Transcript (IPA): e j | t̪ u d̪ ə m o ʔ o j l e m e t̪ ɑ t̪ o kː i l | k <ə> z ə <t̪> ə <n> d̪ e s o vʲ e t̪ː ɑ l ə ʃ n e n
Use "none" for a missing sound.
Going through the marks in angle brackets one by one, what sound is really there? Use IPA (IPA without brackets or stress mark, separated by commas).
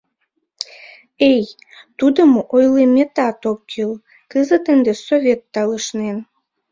ə, t̪, n